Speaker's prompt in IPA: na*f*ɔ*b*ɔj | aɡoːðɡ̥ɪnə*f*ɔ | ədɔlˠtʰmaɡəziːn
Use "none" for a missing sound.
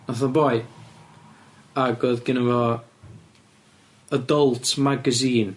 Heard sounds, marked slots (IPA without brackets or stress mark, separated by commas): θ, b, v